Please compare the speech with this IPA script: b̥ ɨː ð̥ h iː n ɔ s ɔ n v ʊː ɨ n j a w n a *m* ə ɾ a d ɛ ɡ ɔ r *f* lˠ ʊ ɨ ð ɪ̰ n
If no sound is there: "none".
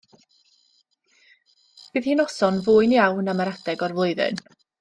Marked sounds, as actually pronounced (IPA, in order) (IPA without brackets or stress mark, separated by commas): m, v